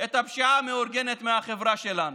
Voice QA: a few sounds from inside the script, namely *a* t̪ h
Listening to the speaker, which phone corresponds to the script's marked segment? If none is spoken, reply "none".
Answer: e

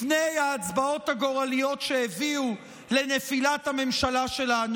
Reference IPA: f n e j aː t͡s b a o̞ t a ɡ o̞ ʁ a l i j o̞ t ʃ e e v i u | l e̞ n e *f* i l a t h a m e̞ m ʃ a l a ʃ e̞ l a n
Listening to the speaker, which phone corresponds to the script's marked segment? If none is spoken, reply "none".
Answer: f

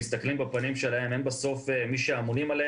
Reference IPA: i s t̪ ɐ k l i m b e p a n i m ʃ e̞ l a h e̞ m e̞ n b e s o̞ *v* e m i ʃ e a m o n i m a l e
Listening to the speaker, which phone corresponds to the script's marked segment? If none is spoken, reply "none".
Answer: f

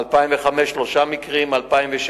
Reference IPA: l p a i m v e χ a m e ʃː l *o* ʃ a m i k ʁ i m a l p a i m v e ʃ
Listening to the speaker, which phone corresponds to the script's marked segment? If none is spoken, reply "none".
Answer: o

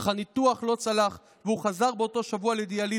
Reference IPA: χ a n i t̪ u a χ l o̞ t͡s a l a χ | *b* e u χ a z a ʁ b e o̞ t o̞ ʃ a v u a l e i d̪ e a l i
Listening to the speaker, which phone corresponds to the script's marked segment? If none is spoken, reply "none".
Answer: v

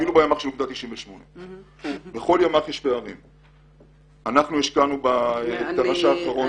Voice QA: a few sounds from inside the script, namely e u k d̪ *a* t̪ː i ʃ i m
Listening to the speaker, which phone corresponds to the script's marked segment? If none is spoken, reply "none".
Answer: a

